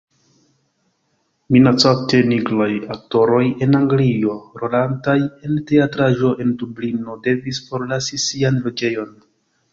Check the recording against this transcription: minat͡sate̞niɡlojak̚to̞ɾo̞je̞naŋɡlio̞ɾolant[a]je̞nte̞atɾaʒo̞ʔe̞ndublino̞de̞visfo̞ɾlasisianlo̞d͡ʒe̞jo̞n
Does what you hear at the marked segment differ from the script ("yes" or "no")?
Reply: no